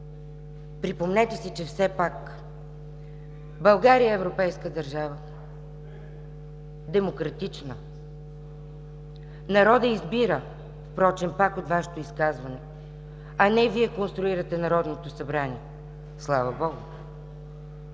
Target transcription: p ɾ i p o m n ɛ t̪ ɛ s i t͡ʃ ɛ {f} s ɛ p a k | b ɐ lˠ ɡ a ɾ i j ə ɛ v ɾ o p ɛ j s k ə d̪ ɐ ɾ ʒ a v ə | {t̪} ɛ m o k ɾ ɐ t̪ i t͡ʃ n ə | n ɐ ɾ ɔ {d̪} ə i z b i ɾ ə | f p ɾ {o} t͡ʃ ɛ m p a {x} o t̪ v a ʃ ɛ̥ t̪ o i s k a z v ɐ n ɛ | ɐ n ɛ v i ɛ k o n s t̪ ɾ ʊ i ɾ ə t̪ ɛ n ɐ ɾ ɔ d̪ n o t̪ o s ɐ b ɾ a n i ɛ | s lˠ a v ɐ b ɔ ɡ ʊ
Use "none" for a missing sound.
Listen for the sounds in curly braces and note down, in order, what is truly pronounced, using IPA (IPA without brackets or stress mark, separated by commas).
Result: f, d̪, d̪, ɔ, k